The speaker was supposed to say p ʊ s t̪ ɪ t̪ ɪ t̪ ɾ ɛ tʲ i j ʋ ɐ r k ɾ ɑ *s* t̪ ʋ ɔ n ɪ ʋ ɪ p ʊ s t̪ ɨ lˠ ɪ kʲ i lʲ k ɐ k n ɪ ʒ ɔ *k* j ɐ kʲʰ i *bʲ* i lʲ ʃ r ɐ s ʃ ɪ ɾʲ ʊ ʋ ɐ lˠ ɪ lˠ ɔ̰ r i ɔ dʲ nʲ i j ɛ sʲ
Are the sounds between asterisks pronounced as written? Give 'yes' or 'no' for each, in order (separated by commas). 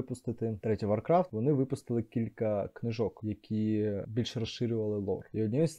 no, yes, yes